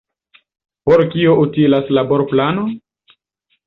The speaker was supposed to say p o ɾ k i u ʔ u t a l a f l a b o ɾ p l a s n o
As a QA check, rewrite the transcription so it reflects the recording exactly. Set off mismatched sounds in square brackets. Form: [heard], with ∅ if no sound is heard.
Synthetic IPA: p o ɾ k i [o] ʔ u t [i] l a [s] l a b o ɾ p l a [∅] n o